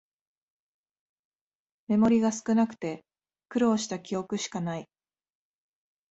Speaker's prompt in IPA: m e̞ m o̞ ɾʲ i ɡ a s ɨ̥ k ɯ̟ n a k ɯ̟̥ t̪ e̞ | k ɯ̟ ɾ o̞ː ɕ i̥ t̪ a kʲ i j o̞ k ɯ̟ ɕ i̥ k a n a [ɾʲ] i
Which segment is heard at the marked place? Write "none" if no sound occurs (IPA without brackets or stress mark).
none